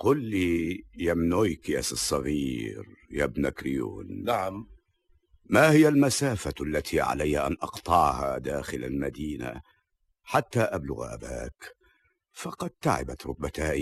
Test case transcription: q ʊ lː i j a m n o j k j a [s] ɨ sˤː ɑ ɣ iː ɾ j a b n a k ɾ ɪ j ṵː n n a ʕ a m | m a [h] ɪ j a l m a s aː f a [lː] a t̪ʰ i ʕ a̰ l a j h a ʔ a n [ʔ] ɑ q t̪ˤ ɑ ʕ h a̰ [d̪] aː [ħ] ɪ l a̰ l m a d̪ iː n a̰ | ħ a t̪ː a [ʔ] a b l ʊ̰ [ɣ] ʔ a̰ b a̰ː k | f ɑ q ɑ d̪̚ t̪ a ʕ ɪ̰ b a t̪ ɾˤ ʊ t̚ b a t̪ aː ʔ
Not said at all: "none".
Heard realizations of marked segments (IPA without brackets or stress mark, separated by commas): s, h, lː, ʔ, d̪, x, ʔ, ɣ